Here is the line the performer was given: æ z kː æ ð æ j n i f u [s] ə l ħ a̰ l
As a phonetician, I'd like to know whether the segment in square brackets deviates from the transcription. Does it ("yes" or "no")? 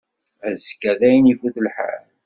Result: yes